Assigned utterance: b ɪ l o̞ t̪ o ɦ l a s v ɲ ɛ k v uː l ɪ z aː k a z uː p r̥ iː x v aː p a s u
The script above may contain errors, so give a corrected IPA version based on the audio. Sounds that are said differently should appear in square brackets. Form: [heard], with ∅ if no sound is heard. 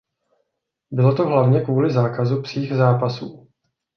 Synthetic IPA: b ɪ l o̞ t̪ o ɦ l a [∅] v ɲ ɛ k v uː l ɪ z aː k a z [u] p r̥ iː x [z] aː p a s [uː]